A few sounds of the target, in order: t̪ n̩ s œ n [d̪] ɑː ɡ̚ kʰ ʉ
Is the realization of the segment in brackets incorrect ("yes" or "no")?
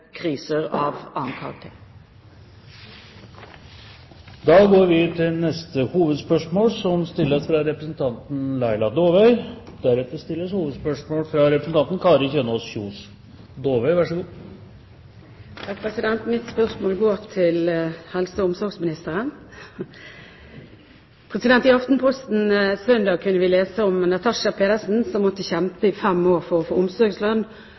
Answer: no